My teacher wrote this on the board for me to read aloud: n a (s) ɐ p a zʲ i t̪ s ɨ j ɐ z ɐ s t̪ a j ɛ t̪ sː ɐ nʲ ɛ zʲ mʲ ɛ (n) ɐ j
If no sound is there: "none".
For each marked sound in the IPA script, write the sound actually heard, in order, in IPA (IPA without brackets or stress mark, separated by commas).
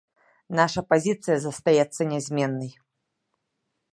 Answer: ʂ, nː